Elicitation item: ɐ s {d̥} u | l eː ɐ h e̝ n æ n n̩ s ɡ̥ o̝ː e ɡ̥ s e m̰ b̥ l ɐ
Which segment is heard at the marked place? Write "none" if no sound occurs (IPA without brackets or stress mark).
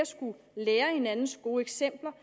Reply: ɡ̥